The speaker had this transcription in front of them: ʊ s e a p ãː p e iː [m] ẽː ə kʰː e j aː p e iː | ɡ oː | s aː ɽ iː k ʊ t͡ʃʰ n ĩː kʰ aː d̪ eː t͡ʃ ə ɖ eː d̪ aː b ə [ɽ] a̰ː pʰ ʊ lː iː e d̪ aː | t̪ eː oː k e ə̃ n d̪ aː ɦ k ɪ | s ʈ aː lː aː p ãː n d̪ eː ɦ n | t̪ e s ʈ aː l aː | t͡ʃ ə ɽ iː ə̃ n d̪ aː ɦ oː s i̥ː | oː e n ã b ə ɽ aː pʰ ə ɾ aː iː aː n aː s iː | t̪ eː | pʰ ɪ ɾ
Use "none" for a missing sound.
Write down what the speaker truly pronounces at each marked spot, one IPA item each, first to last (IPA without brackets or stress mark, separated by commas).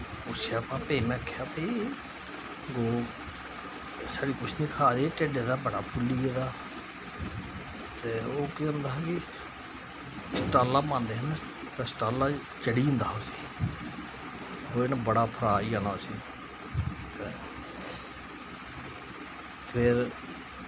m, ɽ